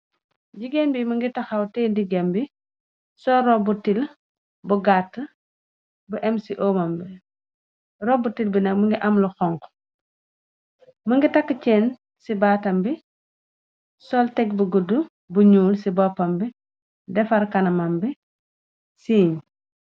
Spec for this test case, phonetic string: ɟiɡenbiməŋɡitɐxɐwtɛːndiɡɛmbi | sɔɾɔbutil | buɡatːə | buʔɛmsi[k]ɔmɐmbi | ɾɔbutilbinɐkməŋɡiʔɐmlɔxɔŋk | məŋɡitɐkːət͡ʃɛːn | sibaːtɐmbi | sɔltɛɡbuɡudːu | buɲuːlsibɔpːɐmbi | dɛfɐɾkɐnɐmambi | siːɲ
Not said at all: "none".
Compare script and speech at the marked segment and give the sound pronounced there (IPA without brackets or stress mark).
ʔ